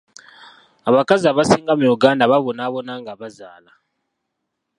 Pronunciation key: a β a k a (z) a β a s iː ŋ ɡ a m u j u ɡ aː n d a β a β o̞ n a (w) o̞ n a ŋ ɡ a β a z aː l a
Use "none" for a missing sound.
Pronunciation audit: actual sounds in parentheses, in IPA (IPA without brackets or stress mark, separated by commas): z, β